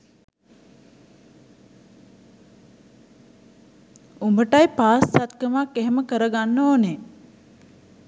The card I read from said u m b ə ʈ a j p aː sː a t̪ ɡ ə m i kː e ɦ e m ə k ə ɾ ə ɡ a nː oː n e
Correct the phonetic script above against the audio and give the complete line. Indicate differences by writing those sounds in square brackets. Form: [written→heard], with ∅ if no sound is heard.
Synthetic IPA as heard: u m b ə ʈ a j p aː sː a t̪ [ɡ→k] ə m [i→a] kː e ɦ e m ə k ə ɾ ə ɡ a nː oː n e